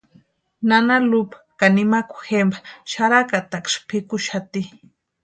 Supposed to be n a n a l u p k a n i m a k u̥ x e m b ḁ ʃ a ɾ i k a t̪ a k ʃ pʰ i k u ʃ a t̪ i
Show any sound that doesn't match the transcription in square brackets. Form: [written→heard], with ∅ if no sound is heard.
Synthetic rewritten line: n a n a l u p k a n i m a k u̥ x e m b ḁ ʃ a ɾ [i→a] k a t̪ a k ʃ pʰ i k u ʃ a t̪ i